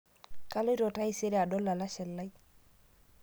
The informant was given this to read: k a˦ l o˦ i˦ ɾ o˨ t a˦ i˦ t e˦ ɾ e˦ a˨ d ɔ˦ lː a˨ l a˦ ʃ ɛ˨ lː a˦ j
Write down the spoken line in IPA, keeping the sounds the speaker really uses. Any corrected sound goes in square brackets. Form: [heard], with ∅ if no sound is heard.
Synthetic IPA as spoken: k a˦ l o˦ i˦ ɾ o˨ t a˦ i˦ [s] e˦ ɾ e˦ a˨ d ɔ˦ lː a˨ l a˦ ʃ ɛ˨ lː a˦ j